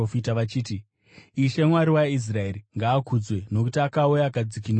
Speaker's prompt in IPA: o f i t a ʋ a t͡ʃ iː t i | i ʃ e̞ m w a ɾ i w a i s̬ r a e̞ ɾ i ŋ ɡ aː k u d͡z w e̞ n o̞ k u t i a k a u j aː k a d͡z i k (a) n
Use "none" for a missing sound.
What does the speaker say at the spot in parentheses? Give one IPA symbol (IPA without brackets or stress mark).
i